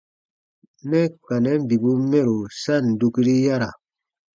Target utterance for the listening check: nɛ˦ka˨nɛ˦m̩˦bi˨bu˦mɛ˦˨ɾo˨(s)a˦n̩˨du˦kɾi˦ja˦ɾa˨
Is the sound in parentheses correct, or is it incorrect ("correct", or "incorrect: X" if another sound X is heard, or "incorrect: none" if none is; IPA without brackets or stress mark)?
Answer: correct